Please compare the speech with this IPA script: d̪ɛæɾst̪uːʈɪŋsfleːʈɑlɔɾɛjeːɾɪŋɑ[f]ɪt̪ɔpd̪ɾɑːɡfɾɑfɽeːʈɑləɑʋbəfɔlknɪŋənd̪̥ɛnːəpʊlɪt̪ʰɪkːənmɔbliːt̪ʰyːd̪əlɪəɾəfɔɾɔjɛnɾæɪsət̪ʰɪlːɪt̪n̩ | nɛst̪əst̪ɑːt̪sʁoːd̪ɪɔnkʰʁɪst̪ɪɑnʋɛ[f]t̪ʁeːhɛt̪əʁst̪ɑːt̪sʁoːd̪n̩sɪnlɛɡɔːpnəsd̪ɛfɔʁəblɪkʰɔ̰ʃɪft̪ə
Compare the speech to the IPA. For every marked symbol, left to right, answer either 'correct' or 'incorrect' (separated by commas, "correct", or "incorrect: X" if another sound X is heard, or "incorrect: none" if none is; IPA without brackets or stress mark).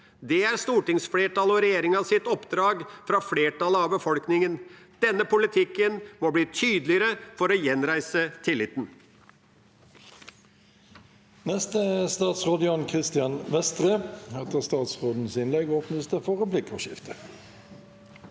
incorrect: s, incorrect: s